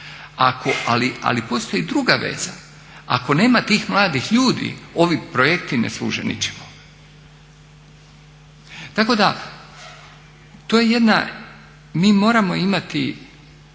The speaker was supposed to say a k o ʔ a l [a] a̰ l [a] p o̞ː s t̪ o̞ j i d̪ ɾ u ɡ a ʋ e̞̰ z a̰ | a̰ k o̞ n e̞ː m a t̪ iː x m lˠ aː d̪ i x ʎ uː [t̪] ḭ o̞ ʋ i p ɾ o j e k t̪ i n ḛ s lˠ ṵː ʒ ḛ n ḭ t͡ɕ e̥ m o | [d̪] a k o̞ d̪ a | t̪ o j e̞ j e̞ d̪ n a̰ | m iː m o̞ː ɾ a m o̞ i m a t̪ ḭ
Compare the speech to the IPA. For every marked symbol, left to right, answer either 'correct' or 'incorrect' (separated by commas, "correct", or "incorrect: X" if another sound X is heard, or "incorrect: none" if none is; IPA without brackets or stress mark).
incorrect: i, incorrect: i, incorrect: d̪, incorrect: t̪